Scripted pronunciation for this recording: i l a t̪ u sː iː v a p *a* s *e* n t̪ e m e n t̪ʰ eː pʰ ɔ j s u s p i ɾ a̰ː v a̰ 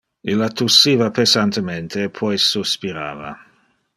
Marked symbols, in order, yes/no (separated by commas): no, no